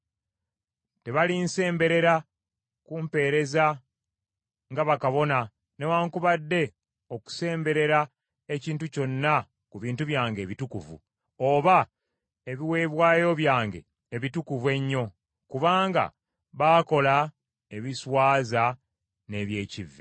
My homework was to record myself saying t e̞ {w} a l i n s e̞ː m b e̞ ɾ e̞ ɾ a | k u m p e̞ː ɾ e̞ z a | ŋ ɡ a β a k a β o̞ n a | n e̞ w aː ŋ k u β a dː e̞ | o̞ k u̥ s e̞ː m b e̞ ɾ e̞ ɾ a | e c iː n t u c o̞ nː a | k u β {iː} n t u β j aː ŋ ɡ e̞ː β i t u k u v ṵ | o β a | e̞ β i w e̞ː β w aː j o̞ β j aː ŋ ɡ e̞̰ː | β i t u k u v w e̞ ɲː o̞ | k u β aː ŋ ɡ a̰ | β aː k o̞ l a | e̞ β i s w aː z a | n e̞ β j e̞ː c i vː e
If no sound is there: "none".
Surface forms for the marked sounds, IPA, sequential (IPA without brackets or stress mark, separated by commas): β, iː